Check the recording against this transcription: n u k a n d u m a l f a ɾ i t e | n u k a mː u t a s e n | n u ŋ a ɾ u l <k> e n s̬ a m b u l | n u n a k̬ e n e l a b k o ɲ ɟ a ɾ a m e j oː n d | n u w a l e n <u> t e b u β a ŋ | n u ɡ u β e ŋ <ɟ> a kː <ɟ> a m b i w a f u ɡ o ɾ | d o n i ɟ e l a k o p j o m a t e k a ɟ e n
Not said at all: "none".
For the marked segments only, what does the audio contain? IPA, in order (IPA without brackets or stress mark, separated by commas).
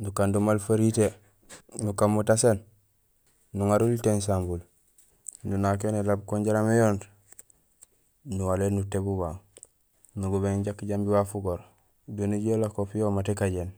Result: t, u, ɟ, ɟ